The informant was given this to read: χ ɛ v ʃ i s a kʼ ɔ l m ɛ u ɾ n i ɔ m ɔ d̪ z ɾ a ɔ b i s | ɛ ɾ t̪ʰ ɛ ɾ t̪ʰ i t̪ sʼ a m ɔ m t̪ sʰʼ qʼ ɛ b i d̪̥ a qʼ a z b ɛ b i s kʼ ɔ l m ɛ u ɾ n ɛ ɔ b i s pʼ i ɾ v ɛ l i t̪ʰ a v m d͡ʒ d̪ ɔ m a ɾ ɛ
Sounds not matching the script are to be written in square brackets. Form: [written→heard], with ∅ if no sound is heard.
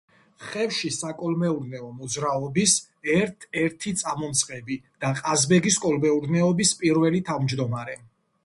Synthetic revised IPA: χ ɛ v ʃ i s a kʼ ɔ l m ɛ u ɾ n [i→ɛ] ɔ m ɔ d̪ z ɾ a ɔ b i s | ɛ ɾ t̪ʰ ɛ ɾ t̪ʰ i t̪ sʼ a m ɔ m t̪ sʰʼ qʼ ɛ b i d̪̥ a qʼ a z b ɛ [b→ɡ] i s kʼ ɔ l m ɛ u ɾ n ɛ ɔ b i s pʼ i ɾ v ɛ l i t̪ʰ a v m d͡ʒ d̪ ɔ m a ɾ ɛ

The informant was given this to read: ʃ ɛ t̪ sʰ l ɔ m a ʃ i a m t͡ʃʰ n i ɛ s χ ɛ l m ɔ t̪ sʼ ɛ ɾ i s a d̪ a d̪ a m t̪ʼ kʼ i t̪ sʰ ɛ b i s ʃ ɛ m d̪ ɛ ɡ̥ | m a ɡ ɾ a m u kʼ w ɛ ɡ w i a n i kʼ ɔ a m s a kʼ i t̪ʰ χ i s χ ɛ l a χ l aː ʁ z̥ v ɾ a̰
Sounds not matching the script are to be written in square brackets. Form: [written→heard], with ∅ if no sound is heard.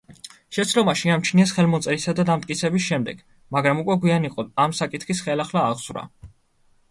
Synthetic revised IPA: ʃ ɛ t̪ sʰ l ɔ m a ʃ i a m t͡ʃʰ n i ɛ s χ ɛ l m ɔ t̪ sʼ ɛ ɾ i s a d̪ a d̪ a m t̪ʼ kʼ i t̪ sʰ ɛ b i s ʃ ɛ m d̪ ɛ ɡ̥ | m a ɡ ɾ a m u kʼ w ɛ ɡ w i a n i [kʼ→qʼ] ɔ a m s a kʼ i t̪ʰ χ i s χ ɛ l a χ l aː ʁ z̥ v ɾ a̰

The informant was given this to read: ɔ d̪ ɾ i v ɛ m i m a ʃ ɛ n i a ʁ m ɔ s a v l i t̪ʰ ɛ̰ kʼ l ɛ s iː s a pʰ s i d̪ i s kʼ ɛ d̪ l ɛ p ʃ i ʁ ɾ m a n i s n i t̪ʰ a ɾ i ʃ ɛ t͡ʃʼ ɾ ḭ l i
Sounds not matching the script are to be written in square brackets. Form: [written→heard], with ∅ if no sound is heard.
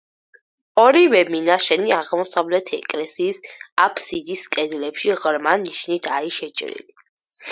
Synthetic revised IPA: ɔ [d̪→∅] ɾ i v ɛ m i [m→n] a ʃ ɛ n i a ʁ m ɔ s a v l [i→ɛ] t̪ʰ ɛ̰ kʼ l ɛ s iː s a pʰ s i d̪ i s kʼ ɛ d̪ l ɛ p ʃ i ʁ ɾ m a n i [s→ʃ] n i t̪ʰ a ɾ i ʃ ɛ t͡ʃʼ ɾ ḭ l i

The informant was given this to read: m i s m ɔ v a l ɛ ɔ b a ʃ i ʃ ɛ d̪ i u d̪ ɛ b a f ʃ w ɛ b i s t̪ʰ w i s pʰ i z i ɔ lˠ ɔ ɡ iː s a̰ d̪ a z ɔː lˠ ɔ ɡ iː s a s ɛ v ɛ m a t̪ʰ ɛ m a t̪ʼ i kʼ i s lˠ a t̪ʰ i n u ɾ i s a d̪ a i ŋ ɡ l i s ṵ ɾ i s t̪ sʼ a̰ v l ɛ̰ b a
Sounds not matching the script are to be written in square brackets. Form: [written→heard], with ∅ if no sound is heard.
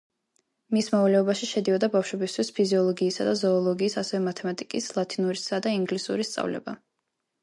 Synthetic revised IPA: m i s m ɔ v a l ɛ ɔ b a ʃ i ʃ ɛ d̪ i [u→ɔ] d̪ [ɛ→a] b a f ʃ w ɛ b i s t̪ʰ w i s pʰ i z i ɔ lˠ ɔ ɡ iː s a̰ d̪ a z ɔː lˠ ɔ ɡ iː s a s ɛ v ɛ m a t̪ʰ ɛ m a t̪ʼ i kʼ i s lˠ a t̪ʰ i n u ɾ i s a d̪ a i ŋ ɡ l i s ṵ ɾ i s t̪ sʼ a̰ v l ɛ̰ b a

